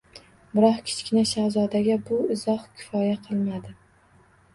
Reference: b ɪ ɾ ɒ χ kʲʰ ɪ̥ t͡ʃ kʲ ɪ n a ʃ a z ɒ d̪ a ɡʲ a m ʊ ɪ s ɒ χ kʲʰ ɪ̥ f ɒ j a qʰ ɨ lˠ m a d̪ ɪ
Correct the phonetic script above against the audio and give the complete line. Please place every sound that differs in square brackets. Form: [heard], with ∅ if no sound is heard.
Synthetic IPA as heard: b ɪ ɾ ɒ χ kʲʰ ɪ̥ t͡ʃ kʲ ɪ n a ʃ a z ɒ d̪ a ɡʲ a [b] ʊ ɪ [z] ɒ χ kʲʰ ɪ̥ f ɒ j a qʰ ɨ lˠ m a d̪ ɪ